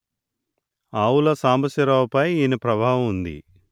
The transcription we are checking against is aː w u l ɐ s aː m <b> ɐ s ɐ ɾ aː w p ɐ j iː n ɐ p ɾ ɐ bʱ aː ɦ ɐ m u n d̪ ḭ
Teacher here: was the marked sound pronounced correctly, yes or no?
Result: yes